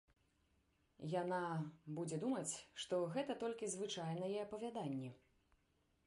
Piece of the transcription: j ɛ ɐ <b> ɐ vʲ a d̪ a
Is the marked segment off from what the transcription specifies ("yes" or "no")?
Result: yes